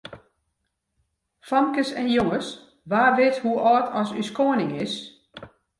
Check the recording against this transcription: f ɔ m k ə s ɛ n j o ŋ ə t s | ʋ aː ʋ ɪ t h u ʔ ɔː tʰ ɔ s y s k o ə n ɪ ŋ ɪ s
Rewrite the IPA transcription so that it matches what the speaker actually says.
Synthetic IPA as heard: f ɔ m k ə s ɛ n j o ŋ ə s | ʋ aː ʋ ɪ t h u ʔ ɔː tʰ ɔ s y s k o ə n ɪ ŋ ɪ s

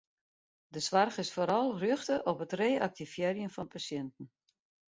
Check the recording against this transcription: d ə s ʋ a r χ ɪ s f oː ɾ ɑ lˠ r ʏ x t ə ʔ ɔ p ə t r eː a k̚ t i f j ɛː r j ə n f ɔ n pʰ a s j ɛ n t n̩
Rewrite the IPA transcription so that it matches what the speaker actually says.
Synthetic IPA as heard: d ə s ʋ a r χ ɪ s f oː ɾ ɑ lˠ r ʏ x t ə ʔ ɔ p ə t r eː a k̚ t i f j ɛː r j ə n f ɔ n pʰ a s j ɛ n t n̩

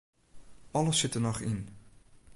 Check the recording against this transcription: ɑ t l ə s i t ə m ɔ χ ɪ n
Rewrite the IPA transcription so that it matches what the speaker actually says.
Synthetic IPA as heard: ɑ l ə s ɪ t ə n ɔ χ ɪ n

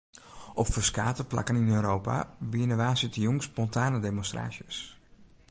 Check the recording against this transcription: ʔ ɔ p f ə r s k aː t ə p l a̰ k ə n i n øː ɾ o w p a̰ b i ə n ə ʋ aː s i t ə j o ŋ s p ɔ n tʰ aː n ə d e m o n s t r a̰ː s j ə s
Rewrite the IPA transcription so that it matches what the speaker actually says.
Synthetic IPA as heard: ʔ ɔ p f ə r s k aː t ə p l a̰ k ə n i n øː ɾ o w p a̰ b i ə n ə ʋ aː s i t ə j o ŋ s p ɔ n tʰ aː n ə d e m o n s t r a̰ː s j ə s

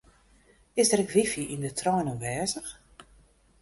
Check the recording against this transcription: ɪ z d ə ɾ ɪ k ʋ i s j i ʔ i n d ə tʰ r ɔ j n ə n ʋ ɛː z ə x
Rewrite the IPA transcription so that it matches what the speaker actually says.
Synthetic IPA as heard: ɪ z d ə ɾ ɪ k ʋ i f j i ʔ i n d ə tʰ r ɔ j n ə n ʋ ɛː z ə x

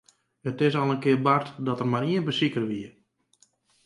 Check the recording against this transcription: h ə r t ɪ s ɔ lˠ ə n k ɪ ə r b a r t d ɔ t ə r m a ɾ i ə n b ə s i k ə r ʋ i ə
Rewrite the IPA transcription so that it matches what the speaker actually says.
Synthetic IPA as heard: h ə t ɪ s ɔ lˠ ə n k ɪ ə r b a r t d ɔ t ə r m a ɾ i ə n b ə s i k ə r ʋ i ə

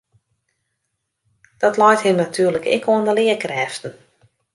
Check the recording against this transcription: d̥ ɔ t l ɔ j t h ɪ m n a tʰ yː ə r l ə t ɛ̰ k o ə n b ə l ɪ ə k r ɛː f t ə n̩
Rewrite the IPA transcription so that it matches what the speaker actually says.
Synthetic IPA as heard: d̥ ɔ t l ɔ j t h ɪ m n a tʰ yː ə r l ə k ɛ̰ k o ə n d ə l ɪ ə k r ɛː f t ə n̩

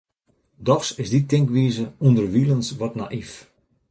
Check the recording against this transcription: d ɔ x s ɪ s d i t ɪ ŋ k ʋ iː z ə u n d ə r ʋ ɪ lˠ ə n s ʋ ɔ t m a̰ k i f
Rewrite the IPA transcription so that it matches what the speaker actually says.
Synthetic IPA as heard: d ɔ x s ɪ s d i t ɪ ŋ k ʋ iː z ə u n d ə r ʋ i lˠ ə n s ʋ ɔ t n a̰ ʔ i f

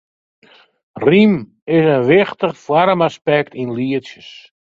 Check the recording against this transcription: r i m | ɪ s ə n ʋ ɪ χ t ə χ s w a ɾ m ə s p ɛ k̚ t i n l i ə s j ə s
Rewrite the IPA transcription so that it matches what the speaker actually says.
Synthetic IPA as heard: r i m | ɪ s ə n ʋ ɪ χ t ə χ f w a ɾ m a s p ɛ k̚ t i n l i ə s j ə s

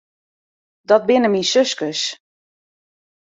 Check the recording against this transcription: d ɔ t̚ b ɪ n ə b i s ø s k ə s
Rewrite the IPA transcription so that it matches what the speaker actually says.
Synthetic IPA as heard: d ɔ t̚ b ɪ n ə m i s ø s k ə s

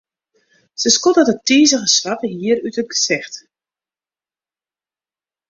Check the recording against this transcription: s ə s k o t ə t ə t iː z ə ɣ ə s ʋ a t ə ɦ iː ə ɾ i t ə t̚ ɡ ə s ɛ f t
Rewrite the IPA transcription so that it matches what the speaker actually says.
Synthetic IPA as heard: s ə s k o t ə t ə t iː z ə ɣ ə s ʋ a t ə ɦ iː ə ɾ y t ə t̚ ɡ ə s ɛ x t

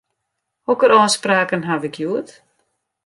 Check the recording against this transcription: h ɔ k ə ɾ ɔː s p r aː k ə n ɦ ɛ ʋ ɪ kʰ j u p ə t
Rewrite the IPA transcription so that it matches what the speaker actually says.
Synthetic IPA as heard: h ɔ k ə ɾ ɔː s p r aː k ə n ɦ a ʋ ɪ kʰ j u ə t

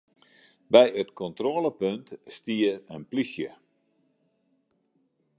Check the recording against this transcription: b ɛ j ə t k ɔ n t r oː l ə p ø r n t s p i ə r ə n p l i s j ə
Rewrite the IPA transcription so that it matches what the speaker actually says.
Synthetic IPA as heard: b ɛ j ə t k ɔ n t r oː l ə p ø n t s t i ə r ə n p l i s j ə

